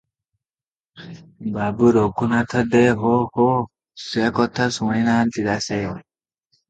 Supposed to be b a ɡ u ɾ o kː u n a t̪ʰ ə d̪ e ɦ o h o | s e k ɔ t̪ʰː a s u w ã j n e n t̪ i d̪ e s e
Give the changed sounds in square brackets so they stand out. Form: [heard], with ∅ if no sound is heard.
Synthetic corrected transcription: b a [b] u ɾ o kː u n a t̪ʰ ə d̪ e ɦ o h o | s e k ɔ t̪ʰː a s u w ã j n [a] n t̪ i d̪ [a] s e

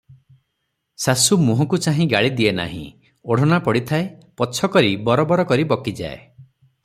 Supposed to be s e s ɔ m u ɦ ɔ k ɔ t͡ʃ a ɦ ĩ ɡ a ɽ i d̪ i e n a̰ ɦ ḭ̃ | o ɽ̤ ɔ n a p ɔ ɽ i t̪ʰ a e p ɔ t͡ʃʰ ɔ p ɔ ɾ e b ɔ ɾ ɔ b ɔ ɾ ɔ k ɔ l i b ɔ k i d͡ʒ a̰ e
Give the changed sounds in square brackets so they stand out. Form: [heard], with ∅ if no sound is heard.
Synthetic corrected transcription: s [a] s [u] m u ɦ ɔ k [u] t͡ʃ a ɦ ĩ ɡ a [ɭ] i d̪ i e n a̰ ɦ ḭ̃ | o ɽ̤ ɔ n a p ɔ ɽ i t̪ʰ a e p ɔ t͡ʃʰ ɔ [k] ɔ ɾ [i] b ɔ ɾ ɔ b ɔ ɾ ɔ k ɔ [ɾ] i b ɔ k i d͡ʒ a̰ e

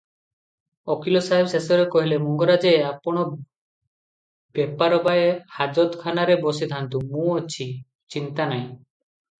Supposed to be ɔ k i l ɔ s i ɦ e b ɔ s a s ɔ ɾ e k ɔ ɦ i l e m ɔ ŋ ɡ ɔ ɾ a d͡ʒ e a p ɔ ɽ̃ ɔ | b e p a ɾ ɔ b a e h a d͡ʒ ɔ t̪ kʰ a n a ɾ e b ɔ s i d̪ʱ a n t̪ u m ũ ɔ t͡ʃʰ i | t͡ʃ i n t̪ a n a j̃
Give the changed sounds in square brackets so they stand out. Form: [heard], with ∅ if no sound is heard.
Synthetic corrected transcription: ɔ k i l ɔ s [a] ɦ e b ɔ s [e] s ɔ ɾ e k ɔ ɦ i l e m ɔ ŋ ɡ ɔ ɾ a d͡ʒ e a p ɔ ɽ̃ ɔ | b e p a ɾ ɔ b a e h a d͡ʒ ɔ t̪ kʰ a n a ɾ e b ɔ s i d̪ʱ a n t̪ u m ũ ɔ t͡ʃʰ i | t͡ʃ i n t̪ a n a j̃

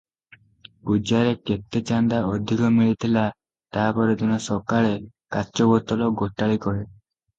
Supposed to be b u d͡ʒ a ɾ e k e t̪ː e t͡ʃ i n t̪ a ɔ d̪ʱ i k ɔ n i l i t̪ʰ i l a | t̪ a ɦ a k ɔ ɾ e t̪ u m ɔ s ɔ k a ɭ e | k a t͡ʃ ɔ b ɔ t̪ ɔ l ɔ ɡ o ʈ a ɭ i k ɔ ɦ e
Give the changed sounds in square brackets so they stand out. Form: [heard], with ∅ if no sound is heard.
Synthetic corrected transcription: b u d͡ʒ a ɾ e k e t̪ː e t͡ʃ [a] n [d̪] a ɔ d̪ʱ i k ɔ [m] i [ɭ] i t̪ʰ i l a | t̪ a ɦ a [p] ɔ ɾ e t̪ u [n] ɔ s ɔ k a ɭ e | k a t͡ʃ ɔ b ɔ t̪ ɔ l ɔ ɡ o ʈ a ɭ i k ɔ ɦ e

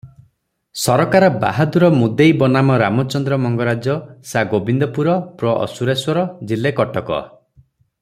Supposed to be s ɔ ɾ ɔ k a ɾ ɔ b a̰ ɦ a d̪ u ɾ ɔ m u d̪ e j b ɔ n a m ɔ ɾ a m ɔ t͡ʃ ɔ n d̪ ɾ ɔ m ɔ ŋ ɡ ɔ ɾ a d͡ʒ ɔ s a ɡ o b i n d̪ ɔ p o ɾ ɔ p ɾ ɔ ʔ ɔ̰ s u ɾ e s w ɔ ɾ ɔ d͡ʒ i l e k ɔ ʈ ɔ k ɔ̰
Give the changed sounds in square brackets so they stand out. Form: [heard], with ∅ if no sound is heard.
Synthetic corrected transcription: s ɔ ɾ ɔ k a ɾ ɔ b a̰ ɦ a d̪ u ɾ ɔ m u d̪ e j b ɔ n a m ɔ ɾ a m ɔ t͡ʃ ɔ n d̪ ɾ ɔ m ɔ ŋ ɡ ɔ ɾ a d͡ʒ ɔ s a ɡ o b i n d̪ ɔ p [u] ɾ ɔ p ɾ ɔ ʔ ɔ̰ s u ɾ e s w ɔ ɾ ɔ d͡ʒ i l e k ɔ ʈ ɔ k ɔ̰

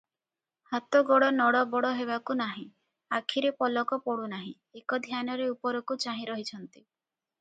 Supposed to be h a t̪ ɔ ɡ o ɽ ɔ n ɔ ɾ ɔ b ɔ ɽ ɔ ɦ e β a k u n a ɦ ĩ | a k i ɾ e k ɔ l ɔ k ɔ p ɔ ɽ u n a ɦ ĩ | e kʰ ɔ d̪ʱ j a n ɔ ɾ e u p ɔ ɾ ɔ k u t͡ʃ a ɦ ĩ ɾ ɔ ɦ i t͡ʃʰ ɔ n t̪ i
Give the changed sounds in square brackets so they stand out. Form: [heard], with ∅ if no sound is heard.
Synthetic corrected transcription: h a t̪ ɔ ɡ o ɽ ɔ n ɔ [ɽ] ɔ b ɔ ɽ ɔ ɦ e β a k u n a ɦ ĩ | a [kʰ] i ɾ e [p] ɔ l ɔ k ɔ p ɔ ɽ u n a ɦ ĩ | e [k] ɔ d̪ʱ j a n ɔ ɾ e u p ɔ ɾ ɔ k u t͡ʃ a ɦ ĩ ɾ ɔ ɦ i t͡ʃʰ ɔ n t̪ i

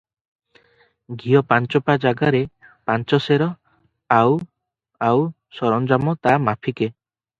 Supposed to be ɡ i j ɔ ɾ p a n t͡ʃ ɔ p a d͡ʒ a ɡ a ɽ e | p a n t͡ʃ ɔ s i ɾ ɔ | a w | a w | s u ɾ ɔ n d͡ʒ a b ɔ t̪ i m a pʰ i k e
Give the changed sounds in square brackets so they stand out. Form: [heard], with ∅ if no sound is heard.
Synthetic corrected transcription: ɡ i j ɔ [∅] p a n t͡ʃ ɔ p a d͡ʒ a ɡ a [ɾ] e | p a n t͡ʃ ɔ s [e] ɾ ɔ | a w | a w | s [ɔ] ɾ ɔ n d͡ʒ a [m] ɔ t̪ [a] m a pʰ i k e

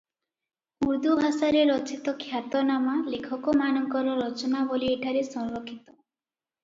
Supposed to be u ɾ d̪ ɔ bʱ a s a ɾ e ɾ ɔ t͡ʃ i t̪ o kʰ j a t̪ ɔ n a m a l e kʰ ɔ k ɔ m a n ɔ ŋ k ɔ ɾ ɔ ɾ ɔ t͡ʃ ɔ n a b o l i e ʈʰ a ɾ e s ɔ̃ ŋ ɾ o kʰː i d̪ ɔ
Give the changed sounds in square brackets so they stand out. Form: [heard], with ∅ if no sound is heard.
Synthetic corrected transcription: u ɾ d̪ [u] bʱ a s a ɾ e ɾ ɔ t͡ʃ i t̪ [ɔ] kʰ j a t̪ ɔ n a m a l e kʰ ɔ k ɔ m a n ɔ ŋ k ɔ ɾ ɔ ɾ ɔ t͡ʃ ɔ n a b o l i e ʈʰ a ɾ e s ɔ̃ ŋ ɾ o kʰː i [t̪] ɔ

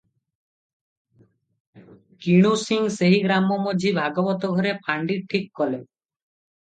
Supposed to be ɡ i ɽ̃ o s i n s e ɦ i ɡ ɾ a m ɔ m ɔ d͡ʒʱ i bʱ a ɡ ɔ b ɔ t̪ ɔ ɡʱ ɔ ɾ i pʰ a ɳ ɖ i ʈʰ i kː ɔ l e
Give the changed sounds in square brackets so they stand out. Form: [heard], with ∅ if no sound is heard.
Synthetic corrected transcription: [k] i ɽ̃ [u] s i [ŋ] s e ɦ i ɡ ɾ a m ɔ m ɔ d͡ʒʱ i bʱ a ɡ ɔ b ɔ t̪ ɔ ɡʱ ɔ ɾ [e] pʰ a ɳ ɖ i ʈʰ i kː ɔ l e

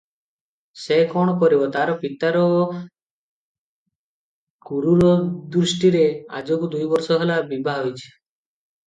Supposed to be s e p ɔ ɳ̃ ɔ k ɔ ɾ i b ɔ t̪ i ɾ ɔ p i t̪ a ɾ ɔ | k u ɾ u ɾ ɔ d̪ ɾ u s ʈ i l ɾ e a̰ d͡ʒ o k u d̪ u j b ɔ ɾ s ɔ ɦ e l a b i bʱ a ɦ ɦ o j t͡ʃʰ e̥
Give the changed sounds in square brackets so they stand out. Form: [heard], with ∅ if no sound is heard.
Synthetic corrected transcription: s e [k] ɔ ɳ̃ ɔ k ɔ ɾ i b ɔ t̪ [a] ɾ ɔ p i t̪ a ɾ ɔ | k u ɾ u ɾ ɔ d̪ ɾ u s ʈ i [∅] ɾ e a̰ d͡ʒ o k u d̪ u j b ɔ ɾ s ɔ ɦ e l a b i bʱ a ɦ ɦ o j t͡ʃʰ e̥

